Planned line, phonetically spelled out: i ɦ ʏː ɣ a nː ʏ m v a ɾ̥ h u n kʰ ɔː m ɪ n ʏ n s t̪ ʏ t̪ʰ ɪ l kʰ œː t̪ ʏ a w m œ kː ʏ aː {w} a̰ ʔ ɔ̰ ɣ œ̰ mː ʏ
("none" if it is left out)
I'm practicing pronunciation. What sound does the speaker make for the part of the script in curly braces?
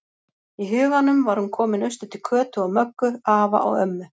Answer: v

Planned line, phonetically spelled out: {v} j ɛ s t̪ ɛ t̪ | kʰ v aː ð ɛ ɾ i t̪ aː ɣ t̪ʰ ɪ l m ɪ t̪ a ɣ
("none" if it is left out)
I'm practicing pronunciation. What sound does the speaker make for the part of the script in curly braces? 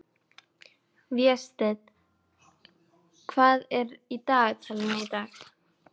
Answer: v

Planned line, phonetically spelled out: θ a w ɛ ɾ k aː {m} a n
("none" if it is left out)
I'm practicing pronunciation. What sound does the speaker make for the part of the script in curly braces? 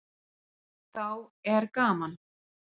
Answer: m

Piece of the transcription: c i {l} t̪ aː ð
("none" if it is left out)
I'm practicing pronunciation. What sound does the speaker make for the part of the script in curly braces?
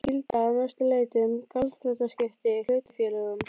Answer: l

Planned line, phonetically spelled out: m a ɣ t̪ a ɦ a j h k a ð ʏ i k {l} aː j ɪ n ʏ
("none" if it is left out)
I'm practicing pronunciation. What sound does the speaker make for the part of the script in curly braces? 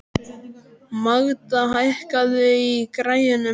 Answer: ɾ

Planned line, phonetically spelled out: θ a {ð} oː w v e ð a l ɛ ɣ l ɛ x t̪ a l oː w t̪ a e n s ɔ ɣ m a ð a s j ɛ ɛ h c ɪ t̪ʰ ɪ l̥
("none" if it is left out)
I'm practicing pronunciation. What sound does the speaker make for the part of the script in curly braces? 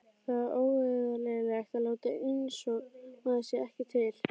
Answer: ð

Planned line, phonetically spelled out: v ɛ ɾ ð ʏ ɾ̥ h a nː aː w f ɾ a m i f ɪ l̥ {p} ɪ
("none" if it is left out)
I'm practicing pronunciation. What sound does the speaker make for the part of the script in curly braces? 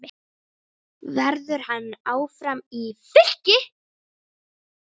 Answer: c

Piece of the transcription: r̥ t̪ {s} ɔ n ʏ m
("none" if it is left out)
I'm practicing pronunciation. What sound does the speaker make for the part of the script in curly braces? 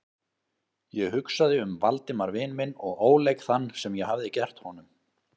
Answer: h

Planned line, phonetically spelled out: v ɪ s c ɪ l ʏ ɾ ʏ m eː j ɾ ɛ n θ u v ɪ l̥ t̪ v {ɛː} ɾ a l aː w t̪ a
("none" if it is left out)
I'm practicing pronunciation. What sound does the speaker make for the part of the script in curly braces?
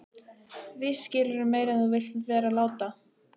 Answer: ɛː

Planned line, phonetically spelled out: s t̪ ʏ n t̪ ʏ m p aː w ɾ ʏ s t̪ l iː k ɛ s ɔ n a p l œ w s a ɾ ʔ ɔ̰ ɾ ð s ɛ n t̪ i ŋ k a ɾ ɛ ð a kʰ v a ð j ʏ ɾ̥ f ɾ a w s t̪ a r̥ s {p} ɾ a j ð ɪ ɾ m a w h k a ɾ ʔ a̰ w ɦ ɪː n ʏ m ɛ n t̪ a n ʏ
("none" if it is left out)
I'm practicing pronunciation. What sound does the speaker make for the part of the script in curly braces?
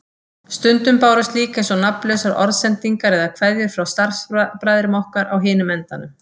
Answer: p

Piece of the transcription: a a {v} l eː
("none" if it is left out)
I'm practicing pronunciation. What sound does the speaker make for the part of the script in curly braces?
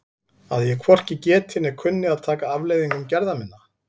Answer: v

